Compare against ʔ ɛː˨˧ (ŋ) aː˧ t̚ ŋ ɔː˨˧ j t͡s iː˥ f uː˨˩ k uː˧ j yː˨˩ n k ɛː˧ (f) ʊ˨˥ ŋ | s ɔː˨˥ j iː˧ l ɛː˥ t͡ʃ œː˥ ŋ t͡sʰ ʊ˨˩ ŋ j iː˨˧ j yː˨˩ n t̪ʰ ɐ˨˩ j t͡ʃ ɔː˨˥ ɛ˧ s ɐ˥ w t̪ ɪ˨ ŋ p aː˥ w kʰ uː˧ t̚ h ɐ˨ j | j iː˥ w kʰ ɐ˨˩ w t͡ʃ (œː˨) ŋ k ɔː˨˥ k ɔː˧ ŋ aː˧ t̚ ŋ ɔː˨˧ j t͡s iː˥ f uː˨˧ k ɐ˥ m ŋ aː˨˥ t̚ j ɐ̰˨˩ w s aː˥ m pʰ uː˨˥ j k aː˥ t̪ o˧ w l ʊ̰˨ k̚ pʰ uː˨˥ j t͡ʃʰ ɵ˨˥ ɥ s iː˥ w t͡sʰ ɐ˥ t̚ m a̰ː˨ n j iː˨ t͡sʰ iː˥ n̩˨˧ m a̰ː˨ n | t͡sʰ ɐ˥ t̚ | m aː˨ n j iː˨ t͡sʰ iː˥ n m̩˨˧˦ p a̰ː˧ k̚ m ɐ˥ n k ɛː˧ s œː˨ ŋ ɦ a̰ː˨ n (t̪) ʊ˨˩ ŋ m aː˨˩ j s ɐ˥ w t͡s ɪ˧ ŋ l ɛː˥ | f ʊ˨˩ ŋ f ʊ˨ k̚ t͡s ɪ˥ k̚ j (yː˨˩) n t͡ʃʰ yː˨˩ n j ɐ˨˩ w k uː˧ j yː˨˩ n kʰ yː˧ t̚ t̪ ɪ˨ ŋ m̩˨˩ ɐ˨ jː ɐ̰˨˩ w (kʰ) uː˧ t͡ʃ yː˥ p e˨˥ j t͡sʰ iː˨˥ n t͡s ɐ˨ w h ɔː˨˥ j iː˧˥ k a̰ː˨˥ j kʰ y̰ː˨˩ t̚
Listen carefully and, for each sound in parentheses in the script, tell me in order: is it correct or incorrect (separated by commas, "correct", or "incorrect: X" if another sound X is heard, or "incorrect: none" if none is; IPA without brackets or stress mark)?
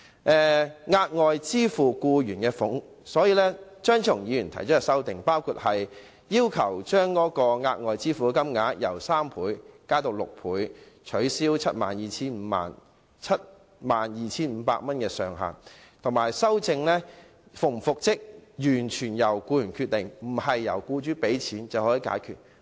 correct, correct, incorrect: œː˥, incorrect: t̪ʰ, correct, incorrect: k